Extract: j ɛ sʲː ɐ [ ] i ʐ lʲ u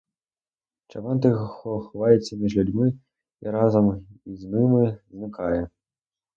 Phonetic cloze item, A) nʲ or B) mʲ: B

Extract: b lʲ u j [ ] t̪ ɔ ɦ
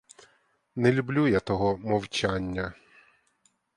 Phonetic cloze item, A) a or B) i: A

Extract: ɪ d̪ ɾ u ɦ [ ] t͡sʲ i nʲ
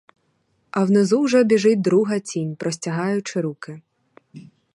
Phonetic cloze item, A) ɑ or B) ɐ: B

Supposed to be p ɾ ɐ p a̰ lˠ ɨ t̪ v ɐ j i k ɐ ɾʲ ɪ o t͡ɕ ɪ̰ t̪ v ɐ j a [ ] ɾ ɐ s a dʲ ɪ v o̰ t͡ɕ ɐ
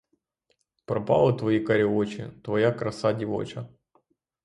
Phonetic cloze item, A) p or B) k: B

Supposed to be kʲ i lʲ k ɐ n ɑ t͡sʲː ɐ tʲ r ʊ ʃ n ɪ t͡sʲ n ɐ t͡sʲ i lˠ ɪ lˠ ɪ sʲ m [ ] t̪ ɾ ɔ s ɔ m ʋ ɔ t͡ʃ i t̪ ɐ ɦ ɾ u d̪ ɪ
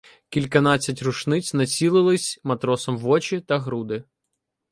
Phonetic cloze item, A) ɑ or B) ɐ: B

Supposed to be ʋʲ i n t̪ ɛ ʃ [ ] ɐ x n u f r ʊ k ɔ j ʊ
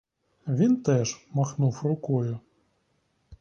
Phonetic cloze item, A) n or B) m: B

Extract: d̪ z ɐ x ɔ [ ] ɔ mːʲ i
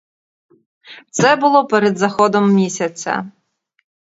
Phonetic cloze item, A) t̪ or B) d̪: B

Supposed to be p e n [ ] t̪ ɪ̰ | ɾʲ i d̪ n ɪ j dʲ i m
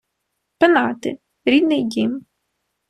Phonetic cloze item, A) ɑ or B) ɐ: A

